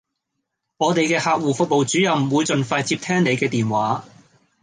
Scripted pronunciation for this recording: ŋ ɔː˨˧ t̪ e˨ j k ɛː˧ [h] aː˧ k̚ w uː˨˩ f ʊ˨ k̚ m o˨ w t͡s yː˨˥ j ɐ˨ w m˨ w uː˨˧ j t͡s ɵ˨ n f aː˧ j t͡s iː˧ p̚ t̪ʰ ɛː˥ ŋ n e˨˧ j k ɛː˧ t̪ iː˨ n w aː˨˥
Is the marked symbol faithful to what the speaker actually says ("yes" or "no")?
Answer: yes